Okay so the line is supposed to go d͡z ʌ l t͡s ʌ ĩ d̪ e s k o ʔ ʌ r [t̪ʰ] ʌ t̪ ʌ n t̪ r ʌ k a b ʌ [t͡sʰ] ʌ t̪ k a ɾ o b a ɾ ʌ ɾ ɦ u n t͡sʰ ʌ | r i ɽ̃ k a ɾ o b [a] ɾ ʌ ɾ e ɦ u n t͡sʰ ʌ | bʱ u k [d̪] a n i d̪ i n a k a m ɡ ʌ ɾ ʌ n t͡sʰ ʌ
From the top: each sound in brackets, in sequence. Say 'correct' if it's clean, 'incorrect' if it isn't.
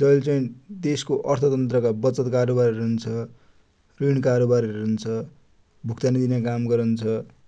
correct, incorrect: t͡s, correct, incorrect: t̪

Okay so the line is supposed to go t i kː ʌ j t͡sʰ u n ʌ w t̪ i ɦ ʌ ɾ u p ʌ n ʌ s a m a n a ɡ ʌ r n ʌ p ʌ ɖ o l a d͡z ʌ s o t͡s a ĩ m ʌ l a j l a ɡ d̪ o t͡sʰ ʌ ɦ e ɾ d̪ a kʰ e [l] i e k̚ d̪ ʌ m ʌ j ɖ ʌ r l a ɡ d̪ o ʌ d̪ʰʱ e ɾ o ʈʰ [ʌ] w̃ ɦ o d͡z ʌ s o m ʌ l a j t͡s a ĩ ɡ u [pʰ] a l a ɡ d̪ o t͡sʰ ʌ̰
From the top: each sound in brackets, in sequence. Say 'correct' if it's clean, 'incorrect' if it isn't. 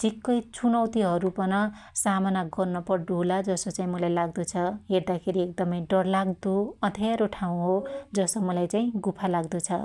incorrect: ɾ, incorrect: a, correct

